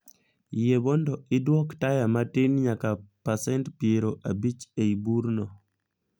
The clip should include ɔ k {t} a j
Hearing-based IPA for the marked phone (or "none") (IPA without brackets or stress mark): t